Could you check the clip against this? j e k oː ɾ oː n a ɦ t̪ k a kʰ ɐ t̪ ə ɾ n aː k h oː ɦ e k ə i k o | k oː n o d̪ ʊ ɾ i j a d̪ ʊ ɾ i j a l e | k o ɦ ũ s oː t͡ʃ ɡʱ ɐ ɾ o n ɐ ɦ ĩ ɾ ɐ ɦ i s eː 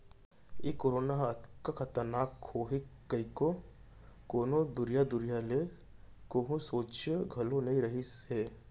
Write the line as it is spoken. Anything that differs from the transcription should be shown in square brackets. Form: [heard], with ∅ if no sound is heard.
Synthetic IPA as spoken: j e k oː ɾ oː n a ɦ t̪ k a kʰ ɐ t̪ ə ɾ n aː k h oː ɦ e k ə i k o | k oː n o d̪ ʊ ɾ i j a d̪ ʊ ɾ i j a l e | k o ɦ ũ s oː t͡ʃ ɡʱ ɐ [l] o n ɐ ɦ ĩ ɾ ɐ ɦ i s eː

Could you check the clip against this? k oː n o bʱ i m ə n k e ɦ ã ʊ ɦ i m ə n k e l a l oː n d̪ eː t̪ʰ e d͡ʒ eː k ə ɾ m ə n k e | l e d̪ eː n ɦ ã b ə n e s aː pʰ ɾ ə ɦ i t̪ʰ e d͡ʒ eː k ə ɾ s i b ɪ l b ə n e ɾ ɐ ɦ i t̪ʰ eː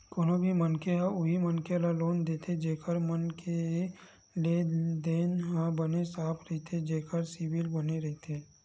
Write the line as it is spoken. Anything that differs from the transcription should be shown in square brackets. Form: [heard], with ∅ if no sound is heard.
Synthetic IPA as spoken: k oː n o bʱ i m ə n k e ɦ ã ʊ ɦ i m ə n k e l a l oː n d̪ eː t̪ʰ e d͡ʒ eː k ə ɾ m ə n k e | l e d̪ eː n ɦ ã b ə n e s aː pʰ ɾ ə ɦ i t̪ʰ e d͡ʒ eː k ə ɾ s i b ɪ l b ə n e ɾ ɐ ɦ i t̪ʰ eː

